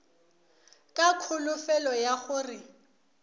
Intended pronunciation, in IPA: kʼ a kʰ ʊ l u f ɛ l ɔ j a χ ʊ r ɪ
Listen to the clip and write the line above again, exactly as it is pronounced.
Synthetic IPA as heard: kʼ a kʰ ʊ l ʊ f ɛ l ɔ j a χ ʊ r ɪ